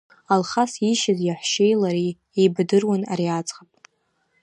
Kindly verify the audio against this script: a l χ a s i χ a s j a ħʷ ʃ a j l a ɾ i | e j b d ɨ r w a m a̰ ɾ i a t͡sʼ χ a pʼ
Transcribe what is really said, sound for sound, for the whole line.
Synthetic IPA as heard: a l χ a s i ʃ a z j a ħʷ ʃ e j l a ɾ i | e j b d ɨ r w a n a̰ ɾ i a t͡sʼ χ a pʼ